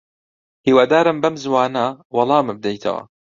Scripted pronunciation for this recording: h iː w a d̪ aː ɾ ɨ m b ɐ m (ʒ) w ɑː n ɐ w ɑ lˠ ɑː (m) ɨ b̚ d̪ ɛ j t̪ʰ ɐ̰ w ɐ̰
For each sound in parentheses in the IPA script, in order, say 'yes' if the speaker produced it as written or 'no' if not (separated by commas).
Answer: no, yes